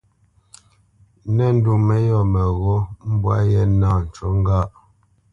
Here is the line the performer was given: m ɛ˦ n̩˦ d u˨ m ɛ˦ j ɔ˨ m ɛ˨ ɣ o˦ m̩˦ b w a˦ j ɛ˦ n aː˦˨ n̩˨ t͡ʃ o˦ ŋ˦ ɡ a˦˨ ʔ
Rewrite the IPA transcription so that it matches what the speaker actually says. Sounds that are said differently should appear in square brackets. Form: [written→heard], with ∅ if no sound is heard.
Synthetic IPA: [m→n] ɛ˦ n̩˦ d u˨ m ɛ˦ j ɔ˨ m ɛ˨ ɣ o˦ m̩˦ b w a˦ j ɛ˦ n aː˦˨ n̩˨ t͡ʃ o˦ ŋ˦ ɡ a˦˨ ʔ